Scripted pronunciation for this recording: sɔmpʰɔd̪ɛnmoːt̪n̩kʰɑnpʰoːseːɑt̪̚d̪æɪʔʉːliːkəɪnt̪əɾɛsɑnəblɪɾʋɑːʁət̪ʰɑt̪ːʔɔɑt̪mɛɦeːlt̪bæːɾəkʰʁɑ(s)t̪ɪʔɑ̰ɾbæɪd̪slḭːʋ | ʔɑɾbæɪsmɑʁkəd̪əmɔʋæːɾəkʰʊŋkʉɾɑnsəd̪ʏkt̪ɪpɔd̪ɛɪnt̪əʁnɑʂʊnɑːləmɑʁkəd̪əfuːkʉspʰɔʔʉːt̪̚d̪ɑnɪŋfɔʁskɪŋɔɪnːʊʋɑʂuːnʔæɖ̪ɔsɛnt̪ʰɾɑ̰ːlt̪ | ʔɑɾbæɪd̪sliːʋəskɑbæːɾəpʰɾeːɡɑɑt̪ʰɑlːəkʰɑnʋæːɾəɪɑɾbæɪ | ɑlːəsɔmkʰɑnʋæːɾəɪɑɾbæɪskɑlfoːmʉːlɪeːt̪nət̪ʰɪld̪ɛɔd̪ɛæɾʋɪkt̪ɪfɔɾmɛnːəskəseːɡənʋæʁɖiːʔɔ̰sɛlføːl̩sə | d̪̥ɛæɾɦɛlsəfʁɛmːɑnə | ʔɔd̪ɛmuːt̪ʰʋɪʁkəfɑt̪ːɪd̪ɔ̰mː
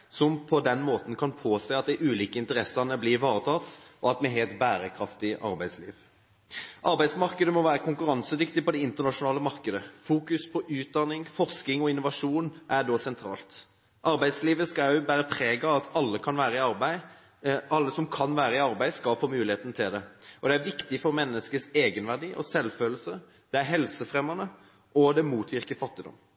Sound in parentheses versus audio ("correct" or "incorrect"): incorrect